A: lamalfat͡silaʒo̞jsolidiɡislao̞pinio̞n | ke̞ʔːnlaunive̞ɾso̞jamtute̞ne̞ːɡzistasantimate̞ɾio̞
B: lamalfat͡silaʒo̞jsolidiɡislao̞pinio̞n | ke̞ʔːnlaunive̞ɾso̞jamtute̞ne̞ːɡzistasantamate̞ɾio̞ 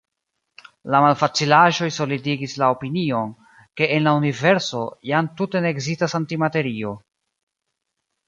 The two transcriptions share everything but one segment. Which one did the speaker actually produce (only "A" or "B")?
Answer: A